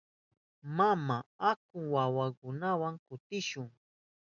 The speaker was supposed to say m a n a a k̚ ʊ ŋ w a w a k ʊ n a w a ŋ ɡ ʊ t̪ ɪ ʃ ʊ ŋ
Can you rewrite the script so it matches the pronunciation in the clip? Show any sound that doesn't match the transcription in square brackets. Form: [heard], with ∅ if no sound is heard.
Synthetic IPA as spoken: m a [m] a a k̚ ʊ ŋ w a w a k ʊ n a w a ŋ [k] ʊ t̪ ɪ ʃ ʊ ŋ